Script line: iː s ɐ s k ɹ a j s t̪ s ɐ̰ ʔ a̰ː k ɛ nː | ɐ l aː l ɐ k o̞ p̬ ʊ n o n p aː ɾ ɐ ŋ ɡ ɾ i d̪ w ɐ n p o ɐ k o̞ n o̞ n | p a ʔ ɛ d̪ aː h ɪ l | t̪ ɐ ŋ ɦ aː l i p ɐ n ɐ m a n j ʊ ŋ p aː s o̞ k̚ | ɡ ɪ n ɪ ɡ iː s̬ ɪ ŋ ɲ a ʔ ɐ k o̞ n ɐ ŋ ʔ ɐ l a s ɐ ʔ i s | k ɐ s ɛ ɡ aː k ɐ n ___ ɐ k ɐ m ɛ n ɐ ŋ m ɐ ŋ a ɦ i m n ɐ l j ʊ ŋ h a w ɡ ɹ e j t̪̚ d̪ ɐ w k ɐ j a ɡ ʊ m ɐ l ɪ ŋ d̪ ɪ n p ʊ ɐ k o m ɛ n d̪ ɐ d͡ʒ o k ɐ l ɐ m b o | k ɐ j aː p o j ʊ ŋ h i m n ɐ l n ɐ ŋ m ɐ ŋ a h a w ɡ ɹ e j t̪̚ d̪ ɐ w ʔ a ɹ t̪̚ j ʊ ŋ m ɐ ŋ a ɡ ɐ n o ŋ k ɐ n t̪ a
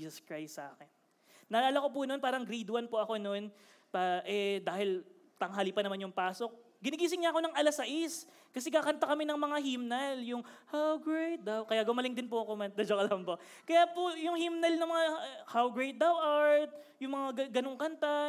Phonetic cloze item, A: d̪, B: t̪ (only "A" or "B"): B